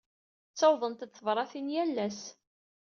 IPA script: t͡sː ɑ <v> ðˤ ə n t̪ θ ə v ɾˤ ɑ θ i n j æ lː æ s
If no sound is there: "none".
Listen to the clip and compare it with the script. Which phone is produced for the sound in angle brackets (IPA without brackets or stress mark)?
w